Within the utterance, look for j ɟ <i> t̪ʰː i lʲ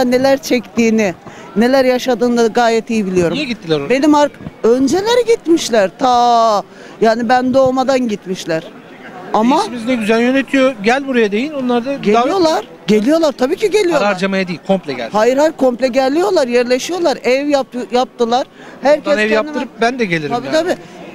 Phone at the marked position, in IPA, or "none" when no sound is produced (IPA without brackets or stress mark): i